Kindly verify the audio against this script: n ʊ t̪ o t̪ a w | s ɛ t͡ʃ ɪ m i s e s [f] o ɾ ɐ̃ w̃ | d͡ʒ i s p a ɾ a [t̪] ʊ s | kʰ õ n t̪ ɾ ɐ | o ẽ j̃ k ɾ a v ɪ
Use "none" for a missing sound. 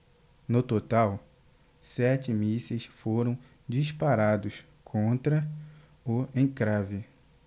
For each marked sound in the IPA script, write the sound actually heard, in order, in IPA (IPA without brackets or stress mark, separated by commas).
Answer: f, d̪